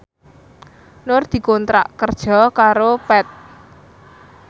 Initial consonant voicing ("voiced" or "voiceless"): voiced